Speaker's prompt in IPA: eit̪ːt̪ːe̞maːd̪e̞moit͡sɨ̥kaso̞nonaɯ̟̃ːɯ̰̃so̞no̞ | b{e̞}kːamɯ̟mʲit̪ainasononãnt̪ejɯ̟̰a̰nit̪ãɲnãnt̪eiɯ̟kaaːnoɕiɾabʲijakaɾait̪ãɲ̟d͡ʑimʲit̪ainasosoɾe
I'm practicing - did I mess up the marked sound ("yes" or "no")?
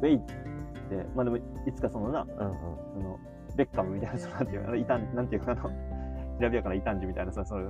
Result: no